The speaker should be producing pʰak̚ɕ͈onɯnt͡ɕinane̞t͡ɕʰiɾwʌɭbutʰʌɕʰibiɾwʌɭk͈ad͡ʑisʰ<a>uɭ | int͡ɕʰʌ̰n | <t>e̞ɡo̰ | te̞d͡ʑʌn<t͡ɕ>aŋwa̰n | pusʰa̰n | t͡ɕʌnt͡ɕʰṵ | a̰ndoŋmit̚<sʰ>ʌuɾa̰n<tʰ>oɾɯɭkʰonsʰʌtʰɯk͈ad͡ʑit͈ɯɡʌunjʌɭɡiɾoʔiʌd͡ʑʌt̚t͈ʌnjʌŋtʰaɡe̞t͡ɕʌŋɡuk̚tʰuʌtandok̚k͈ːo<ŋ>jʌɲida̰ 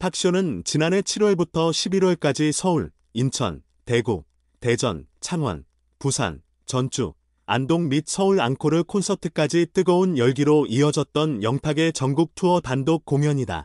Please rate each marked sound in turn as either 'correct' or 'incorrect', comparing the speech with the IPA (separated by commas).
incorrect, correct, incorrect, correct, incorrect, correct